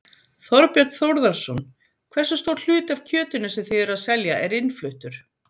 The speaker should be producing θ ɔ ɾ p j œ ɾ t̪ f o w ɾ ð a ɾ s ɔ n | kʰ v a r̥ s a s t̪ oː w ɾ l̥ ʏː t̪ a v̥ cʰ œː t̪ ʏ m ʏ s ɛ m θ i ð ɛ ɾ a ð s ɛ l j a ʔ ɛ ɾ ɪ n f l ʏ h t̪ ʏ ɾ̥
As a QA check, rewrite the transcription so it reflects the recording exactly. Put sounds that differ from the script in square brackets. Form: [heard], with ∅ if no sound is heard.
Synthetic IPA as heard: θ ɔ ɾ p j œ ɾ t̪ [θ] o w ɾ ð a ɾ s ɔ n | kʰ v [ɛ] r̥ s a s t̪ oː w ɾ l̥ ʏː t̪ a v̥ cʰ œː t̪ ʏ [n] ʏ s ɛ m θ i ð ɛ ɾ a ð s ɛ l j a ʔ ɛ ɾ ɪ n f l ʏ h t̪ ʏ ɾ̥